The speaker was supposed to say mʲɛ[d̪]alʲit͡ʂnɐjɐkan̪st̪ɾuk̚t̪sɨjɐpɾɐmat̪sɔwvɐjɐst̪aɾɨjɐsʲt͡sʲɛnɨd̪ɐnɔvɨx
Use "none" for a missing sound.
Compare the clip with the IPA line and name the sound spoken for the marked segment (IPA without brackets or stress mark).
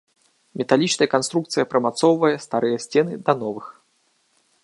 t̪